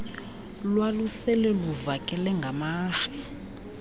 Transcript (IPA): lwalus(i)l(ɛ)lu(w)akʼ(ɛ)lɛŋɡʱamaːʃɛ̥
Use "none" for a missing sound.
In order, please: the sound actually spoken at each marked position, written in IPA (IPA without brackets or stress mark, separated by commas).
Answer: ɛ, ɛ, v, ɛ